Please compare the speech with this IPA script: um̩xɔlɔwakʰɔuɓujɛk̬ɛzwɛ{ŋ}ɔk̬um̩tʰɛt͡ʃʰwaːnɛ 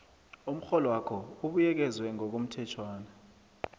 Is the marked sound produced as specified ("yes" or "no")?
yes